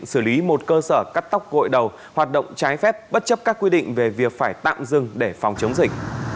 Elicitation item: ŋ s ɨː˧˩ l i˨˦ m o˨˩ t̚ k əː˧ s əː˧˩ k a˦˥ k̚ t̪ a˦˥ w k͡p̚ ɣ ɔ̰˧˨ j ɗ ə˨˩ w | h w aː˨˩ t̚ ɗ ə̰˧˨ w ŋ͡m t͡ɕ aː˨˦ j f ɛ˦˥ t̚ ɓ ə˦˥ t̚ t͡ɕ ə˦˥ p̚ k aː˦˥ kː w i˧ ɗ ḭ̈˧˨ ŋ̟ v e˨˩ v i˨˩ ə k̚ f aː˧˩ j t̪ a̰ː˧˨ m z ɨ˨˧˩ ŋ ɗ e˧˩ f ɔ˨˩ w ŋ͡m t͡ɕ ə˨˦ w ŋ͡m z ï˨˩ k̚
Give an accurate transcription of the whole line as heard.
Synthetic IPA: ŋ s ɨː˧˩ l i˨˦ m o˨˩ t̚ k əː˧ s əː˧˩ k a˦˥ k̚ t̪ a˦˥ w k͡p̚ ɣ o̰˧˨ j ɗ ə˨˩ w | h w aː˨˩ t̚ ɗ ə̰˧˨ w ŋ͡m t͡ɕ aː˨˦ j f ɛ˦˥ p̚ ɓ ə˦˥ t̚ t͡ɕ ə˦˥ p̚ k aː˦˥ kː w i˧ ɗ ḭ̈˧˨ ŋ̟ v e˨˩ v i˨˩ ə k̚ f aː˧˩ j t̪ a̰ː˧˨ m z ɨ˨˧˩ ŋ ɗ e˧˩ f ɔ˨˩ w ŋ͡m t͡ɕ ə˨˦ w ŋ͡m z ï˨˩ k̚

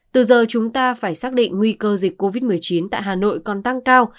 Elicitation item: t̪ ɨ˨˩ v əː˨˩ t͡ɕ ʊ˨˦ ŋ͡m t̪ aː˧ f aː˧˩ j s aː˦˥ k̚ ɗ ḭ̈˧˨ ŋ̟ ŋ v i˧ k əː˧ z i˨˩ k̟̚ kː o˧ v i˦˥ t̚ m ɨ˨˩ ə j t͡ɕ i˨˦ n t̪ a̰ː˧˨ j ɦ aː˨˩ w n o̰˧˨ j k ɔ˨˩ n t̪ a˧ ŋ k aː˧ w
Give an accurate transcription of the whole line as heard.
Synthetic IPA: t̪ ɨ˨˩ z əː˨˩ t͡ɕ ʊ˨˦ ŋ͡m t̪ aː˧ f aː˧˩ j s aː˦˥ k̚ ɗ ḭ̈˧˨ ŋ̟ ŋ w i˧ k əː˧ z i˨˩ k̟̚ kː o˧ v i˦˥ t̚ m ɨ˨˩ ə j t͡ɕ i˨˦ n t̪ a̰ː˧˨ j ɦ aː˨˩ n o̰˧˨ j k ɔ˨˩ n t̪ a˧ ŋ k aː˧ w

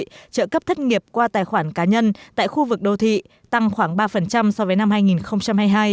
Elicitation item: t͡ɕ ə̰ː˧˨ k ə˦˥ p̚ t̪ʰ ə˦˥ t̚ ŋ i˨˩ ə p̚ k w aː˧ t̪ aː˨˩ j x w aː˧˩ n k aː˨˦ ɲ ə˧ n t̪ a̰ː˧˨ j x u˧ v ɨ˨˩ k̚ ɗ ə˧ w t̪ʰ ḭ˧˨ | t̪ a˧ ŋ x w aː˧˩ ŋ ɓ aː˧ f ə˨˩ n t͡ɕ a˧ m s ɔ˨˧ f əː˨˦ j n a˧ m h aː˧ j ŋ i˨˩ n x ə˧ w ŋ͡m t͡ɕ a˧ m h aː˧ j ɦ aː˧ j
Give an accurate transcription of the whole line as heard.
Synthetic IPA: t͡ɕ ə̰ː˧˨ k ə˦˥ p̚ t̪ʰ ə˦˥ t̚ ŋ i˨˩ ə p̚ k w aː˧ t̪ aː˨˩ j x w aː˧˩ n k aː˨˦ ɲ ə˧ n t̪ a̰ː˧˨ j x u˧ v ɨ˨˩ k̚ ɗ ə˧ w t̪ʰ ḭ˧˨ | t̪ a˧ ŋ x w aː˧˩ ŋ ɓ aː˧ f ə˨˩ n t͡ɕ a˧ m s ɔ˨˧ v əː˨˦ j n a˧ m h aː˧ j ŋ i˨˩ n x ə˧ w ŋ͡m t͡ɕ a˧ m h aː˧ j ɦ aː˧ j

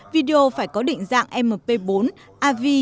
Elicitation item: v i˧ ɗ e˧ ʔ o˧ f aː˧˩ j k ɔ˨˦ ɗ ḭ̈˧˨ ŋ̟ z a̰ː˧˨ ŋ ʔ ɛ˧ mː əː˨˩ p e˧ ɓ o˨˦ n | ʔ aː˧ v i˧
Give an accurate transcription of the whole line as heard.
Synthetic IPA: v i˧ ɗ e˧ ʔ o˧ f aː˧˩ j k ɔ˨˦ ɗ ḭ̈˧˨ ŋ̟ z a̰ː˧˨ ŋ ʔ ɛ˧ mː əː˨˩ p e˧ ɓ o˨˦ n | ʔ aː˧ v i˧

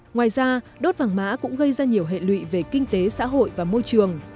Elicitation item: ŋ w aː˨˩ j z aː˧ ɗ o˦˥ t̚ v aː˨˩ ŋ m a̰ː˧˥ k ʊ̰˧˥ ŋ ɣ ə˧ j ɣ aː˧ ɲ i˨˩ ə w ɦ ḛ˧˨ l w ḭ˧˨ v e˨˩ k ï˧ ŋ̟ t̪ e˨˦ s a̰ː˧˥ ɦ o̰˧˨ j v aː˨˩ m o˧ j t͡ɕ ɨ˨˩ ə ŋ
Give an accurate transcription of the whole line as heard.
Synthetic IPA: ŋ w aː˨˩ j z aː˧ ɗ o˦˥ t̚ v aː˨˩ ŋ m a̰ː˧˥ k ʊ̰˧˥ ŋ͡m ɣ ə˧ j z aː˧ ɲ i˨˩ ə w ɦ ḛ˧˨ l w ḭ˧˨ v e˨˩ k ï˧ ŋ̟ t̪ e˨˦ s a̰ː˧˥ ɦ o̰˧˨ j v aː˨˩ m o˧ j t͡ɕ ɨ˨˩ ə ŋ

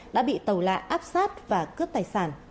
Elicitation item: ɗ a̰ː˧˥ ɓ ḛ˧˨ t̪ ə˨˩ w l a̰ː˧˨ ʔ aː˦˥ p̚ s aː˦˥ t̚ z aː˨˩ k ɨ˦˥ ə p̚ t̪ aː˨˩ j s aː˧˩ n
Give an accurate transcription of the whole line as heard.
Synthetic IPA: ɗ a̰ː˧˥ ɓ ḭ˧˨ t̪ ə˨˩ w l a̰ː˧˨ ʔ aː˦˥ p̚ s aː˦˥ t̚ v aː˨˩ k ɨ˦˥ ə p̚ t̪ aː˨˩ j s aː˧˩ n

